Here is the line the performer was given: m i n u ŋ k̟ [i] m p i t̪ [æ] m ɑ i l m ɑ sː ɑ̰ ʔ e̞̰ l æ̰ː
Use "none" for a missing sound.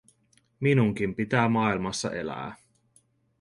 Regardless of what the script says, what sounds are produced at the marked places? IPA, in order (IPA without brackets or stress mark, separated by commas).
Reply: i, æː